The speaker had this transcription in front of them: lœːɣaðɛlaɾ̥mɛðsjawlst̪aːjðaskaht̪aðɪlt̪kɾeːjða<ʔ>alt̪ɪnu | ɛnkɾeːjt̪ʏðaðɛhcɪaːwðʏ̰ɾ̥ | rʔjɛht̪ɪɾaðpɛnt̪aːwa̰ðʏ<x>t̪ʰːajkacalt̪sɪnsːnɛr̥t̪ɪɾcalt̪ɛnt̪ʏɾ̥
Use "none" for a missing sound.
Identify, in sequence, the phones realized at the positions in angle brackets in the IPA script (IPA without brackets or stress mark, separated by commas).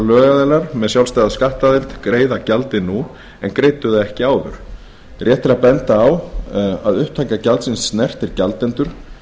c, h